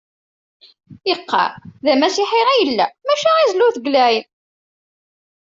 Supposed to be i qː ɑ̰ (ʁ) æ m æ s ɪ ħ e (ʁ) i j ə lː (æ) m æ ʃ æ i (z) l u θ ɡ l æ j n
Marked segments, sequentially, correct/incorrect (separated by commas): incorrect, correct, correct, correct